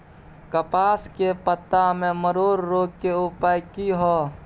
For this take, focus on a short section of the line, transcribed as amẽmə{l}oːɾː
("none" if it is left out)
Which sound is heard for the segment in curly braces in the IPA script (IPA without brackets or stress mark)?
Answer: ɾ